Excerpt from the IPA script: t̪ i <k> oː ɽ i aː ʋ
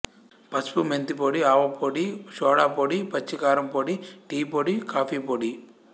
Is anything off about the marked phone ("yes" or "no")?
yes